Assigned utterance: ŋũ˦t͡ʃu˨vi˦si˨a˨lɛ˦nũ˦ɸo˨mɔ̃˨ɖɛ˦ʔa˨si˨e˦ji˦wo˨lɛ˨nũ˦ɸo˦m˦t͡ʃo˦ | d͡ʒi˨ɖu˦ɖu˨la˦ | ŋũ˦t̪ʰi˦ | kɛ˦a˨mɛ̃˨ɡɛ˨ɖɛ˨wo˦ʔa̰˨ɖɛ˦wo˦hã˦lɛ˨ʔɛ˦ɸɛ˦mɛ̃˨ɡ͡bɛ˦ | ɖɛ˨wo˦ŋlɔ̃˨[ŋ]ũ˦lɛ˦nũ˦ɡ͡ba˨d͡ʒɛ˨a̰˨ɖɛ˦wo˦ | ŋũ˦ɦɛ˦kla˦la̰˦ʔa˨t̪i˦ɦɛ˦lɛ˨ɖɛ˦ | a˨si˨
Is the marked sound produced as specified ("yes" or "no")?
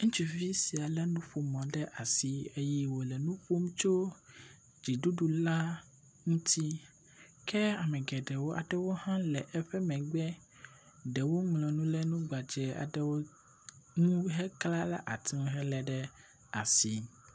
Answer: no